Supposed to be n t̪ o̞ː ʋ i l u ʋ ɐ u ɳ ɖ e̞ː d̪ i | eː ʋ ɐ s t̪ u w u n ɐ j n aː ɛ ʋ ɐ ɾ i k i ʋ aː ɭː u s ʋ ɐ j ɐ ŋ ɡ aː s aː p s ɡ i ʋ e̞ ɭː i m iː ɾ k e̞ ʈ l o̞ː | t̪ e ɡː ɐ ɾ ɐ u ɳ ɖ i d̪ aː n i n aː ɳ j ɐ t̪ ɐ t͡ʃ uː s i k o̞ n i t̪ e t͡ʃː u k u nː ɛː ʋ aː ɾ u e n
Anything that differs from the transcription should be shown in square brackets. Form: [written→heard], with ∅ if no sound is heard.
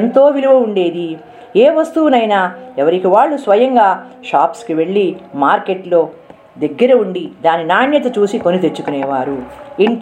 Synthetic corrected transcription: n t̪ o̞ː ʋ i l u ʋ ɐ u ɳ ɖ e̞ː d̪ i | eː ʋ ɐ s t̪ u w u n ɐ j n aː ɛ ʋ ɐ ɾ i k i ʋ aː ɭː u s ʋ ɐ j ɐ ŋ ɡ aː [s→ʃ] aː p s [ɡ→k] i ʋ e̞ ɭː i m [iː→aː] ɾ k e̞ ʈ l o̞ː | [t̪→d̪] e ɡː ɐ ɾ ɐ u ɳ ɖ i d̪ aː n i n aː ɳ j ɐ t̪ ɐ t͡ʃ uː s i k o̞ n i t̪ e t͡ʃː u k u [nː→n] ɛː ʋ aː ɾ u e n